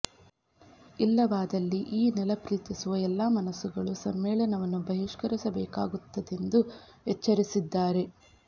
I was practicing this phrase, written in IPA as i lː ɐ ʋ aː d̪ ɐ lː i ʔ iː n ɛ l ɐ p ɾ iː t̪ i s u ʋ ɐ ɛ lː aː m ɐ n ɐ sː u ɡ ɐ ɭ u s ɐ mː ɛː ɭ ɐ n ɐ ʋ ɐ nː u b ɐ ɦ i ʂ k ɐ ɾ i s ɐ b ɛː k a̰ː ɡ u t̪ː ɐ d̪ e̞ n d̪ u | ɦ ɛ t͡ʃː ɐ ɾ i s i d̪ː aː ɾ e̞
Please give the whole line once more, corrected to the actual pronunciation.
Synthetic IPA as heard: i lː ɐ ʋ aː d̪ ɐ lː i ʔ iː n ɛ l ɐ p ɾ iː t̪ i s u ʋ ɐ ɛ lː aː m ɐ n ɐ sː u ɡ ɐ ɭ u s ɐ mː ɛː ɭ ɐ n ɐ ʋ ɐ nː u b ɐ ɦ i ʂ k ɐ ɾ i s ɐ b ɛː k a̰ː ɡ u t̪ː ɐ d̪ e̞ n d̪ u | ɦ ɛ t͡ʃː ɐ ɾ i s i d̪ː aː ɾ e̞